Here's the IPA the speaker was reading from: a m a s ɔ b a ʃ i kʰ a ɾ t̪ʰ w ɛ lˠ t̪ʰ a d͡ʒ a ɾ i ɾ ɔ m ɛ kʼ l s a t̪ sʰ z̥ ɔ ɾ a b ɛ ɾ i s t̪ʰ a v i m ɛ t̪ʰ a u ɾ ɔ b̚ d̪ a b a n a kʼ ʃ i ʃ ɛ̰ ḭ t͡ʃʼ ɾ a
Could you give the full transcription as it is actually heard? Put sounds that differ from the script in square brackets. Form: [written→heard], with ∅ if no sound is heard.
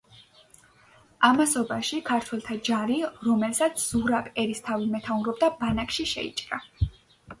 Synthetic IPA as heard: a m a s ɔ b a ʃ i kʰ a ɾ t̪ʰ w ɛ lˠ t̪ʰ a d͡ʒ a ɾ i ɾ ɔ m ɛ [kʼ→∅] l s a t̪ sʰ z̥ [ɔ→u] ɾ a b ɛ ɾ i s t̪ʰ a v i m ɛ t̪ʰ a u ɾ ɔ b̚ d̪ a b a n a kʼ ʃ i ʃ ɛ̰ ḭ t͡ʃʼ ɾ a

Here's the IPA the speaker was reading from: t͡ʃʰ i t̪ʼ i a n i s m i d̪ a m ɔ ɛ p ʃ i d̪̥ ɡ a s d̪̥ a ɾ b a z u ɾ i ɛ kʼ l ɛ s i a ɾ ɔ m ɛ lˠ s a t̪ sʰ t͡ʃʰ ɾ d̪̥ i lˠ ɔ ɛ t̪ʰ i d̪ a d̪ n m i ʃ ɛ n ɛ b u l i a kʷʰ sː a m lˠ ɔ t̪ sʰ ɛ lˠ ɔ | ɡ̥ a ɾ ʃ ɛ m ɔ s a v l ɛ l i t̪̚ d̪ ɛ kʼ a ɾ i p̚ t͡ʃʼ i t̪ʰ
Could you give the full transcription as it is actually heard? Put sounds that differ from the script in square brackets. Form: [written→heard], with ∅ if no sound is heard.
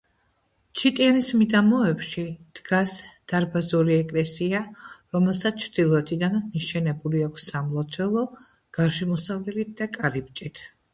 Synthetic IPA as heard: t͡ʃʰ i t̪ʼ i a n i s m i d̪ a m ɔ ɛ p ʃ i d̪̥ ɡ a s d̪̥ a ɾ b a z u ɾ i ɛ kʼ l ɛ s i a ɾ ɔ m ɛ lˠ s a t̪ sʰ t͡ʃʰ ɾ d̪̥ i lˠ ɔ ɛ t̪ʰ i d̪ a [d̪→∅] n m i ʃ ɛ n ɛ b u l i a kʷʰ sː a m lˠ ɔ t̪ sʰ ɛ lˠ ɔ | ɡ̥ a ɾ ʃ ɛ m ɔ s a v l ɛ l i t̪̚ d̪ [ɛ→a] kʼ a ɾ i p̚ t͡ʃʼ i t̪ʰ

